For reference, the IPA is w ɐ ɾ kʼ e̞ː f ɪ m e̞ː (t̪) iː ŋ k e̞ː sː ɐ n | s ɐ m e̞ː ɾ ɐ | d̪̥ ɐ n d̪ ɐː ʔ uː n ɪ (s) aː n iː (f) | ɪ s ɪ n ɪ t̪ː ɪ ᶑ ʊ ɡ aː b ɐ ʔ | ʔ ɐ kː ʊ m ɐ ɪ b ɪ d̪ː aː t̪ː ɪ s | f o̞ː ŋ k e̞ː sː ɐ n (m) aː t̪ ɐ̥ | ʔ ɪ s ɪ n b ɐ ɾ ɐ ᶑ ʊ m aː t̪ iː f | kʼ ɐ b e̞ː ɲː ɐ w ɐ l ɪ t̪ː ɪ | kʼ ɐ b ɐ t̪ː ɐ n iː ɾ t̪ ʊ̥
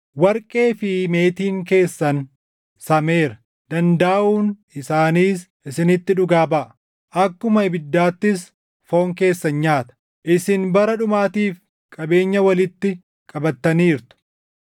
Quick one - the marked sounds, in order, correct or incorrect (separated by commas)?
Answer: correct, correct, incorrect, incorrect